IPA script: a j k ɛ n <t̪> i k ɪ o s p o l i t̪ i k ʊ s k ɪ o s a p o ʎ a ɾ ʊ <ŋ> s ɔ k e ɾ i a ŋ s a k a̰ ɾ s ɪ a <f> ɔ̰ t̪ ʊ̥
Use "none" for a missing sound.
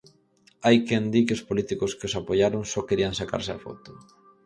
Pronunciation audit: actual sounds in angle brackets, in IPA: d̪, ŋ, f

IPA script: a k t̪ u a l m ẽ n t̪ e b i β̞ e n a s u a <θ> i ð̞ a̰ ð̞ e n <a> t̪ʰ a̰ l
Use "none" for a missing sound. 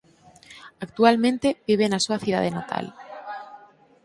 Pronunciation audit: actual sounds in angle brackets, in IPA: θ, a

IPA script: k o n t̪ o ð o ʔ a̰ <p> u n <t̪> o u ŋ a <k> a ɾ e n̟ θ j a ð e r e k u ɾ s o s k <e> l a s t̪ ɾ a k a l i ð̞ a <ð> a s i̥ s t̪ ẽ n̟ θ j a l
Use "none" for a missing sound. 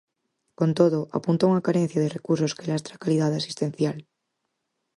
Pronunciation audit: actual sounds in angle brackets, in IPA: p, t̪, k, e, ð

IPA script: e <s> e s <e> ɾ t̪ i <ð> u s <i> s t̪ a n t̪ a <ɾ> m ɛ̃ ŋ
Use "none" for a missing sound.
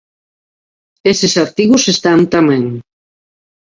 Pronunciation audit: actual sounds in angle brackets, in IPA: s, a, ɣ, e, none

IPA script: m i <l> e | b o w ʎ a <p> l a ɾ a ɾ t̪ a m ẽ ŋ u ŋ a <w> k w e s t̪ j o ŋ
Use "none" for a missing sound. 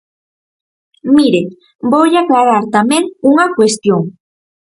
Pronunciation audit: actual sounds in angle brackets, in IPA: ɾ, k, none

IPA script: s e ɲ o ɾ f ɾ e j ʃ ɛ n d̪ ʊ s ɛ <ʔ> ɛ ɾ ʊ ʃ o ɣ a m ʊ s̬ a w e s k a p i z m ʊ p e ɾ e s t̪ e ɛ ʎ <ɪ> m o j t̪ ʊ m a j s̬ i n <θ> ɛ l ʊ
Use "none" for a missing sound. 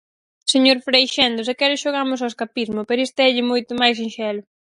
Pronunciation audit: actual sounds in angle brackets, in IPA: k, ɪ, ʃ

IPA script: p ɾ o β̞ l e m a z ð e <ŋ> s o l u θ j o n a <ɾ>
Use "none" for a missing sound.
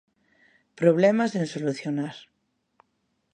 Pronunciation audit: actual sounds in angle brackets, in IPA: n, ɾ

